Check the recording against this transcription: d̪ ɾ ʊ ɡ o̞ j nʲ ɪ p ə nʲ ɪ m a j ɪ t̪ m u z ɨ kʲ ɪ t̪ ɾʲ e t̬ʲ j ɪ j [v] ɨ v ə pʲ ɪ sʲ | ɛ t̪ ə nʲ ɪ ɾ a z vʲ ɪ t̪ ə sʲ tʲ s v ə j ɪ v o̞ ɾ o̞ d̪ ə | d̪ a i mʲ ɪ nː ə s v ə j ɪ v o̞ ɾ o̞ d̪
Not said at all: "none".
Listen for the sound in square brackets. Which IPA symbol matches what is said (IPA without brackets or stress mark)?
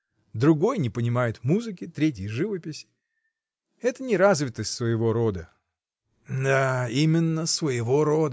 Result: ʐ